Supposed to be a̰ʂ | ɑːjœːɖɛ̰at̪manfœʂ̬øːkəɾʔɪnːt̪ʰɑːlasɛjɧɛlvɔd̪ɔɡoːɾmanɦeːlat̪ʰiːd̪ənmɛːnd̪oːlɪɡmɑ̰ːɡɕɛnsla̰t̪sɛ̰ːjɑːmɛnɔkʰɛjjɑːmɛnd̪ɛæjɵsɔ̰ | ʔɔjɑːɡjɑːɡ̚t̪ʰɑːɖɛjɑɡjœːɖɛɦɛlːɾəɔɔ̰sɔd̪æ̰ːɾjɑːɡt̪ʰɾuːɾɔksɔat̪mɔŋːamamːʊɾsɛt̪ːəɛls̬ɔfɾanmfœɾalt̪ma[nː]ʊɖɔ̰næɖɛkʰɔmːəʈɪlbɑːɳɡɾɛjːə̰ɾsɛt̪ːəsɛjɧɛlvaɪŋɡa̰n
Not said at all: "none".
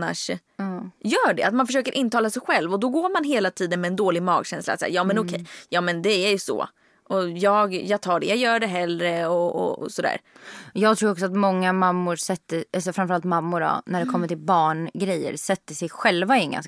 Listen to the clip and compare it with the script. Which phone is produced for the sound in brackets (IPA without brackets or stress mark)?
mː